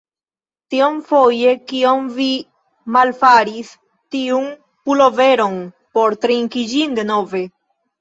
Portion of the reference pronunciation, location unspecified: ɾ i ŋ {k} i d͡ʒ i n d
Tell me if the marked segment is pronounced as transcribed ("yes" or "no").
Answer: yes